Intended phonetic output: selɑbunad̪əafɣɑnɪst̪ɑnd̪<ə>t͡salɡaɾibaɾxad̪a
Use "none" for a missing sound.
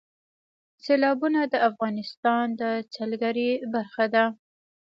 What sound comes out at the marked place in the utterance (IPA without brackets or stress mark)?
ə